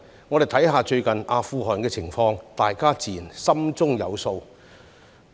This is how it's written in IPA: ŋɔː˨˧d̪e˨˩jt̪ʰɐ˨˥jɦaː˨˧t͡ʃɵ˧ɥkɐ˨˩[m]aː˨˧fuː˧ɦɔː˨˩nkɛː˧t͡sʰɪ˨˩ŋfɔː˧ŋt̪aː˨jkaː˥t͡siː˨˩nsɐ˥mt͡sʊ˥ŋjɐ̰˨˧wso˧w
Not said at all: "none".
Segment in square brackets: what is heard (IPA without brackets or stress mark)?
n